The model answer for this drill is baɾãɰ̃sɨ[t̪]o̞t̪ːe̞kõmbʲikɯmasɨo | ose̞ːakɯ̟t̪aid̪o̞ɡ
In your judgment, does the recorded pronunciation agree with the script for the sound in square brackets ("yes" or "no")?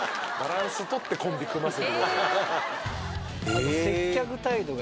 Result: yes